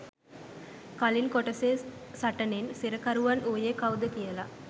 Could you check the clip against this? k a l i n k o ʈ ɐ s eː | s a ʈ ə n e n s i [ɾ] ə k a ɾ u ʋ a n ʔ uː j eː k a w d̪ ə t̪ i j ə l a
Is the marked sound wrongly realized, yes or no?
no